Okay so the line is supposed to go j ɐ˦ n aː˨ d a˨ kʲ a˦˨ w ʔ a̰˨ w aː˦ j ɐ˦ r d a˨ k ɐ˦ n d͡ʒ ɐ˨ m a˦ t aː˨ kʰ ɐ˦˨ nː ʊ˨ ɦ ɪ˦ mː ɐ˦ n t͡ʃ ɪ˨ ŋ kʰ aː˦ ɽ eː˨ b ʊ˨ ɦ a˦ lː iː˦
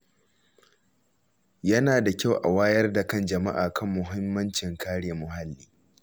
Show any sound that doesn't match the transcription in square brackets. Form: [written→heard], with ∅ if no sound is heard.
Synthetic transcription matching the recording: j ɐ˦ n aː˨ d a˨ kʲ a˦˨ w ʔ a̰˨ w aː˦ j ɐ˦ r d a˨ k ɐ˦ n d͡ʒ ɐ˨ m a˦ [t→ʔ] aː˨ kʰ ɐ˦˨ [nː→mː] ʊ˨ ɦ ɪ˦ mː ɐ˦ n t͡ʃ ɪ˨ ŋ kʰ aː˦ ɽ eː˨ [b→m] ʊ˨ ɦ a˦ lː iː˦